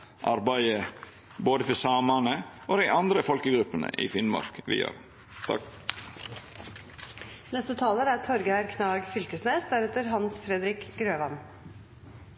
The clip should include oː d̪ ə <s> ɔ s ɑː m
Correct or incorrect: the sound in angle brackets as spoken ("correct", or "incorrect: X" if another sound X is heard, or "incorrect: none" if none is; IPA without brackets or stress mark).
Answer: incorrect: f